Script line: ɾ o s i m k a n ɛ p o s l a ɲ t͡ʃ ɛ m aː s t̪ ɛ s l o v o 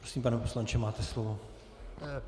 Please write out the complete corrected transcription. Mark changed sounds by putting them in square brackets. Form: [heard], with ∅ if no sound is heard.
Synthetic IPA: ɾ o s i m [p] a n ɛ p o s l a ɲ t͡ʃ ɛ m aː [∅] t̪ ɛ s l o v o